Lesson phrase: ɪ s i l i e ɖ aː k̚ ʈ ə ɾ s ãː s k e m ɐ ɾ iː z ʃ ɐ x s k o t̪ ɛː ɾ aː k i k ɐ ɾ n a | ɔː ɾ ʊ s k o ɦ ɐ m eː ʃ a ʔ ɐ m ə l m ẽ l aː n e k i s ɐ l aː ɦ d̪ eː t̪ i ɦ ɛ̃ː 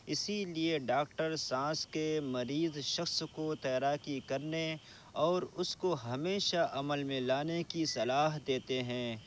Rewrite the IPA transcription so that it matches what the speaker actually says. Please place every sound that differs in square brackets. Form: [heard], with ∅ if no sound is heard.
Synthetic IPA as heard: ɪ s i l i e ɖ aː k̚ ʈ ə ɾ s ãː s k e m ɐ ɾ iː z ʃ ɐ x s k o t̪ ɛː ɾ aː k i k ɐ ɾ n [e] | ɔː ɾ ʊ s k o ɦ ɐ m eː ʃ a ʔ ɐ m ə l m ẽ l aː n e k i s ɐ l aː ɦ d̪ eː t̪ [e] ɦ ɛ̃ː